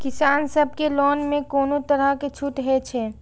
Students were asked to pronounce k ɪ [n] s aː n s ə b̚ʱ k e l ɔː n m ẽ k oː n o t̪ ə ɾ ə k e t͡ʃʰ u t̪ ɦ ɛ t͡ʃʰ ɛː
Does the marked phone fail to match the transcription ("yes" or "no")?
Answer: yes